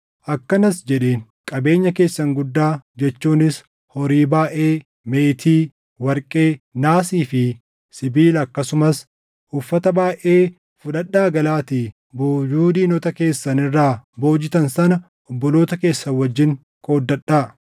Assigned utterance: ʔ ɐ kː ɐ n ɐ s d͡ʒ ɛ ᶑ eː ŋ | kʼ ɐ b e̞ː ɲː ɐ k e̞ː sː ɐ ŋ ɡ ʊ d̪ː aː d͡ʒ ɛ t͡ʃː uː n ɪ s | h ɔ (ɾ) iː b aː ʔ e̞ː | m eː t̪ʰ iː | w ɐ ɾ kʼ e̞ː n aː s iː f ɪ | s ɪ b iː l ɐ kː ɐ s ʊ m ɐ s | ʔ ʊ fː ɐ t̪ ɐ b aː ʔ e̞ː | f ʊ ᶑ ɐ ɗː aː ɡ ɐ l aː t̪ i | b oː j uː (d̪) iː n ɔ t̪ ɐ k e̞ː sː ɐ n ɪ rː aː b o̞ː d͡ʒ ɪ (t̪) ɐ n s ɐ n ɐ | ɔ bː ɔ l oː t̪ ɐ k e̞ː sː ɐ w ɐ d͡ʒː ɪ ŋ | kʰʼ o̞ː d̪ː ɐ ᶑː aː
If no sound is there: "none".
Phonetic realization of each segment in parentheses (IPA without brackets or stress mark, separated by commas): ɾ, d̪, t̪